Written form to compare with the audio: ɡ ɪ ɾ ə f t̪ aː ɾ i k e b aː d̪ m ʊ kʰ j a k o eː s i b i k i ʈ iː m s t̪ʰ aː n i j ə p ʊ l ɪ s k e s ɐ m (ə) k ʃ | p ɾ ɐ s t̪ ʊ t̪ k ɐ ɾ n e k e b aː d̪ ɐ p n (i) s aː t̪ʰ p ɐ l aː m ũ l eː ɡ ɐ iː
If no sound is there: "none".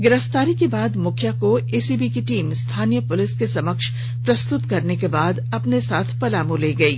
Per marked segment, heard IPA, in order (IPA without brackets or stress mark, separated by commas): ə, e